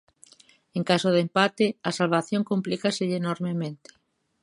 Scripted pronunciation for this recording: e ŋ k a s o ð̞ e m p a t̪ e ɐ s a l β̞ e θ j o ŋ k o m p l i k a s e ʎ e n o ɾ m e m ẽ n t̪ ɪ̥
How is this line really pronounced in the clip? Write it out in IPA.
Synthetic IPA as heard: e ŋ k a s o ð̞ e m p a t̪ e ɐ s a l β̞ a θ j o ŋ k o m p l i k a s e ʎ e n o ɾ m e m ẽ n t̪ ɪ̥